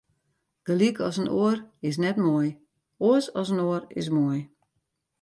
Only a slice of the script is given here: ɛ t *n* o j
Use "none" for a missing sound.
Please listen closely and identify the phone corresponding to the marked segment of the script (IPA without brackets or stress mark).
m